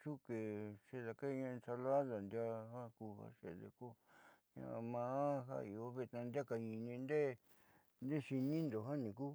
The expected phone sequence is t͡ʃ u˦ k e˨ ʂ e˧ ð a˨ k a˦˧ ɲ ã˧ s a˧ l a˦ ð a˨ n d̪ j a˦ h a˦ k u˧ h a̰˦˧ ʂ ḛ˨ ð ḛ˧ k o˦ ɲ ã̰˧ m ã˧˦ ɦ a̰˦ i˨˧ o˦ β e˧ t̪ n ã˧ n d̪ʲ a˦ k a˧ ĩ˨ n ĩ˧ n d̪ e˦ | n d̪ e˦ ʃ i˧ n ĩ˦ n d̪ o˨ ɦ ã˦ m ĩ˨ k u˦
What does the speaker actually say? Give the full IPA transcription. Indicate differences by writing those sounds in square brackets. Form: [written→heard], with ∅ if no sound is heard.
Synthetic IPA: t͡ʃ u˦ k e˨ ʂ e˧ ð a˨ k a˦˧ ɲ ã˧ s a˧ l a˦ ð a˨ n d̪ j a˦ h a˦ k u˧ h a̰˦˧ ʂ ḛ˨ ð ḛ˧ k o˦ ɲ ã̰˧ m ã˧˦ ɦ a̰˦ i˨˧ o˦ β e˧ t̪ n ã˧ n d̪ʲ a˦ k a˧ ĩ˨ n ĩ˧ n d̪ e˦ | n d̪ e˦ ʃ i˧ n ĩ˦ n d̪ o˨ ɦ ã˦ [m→n] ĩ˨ k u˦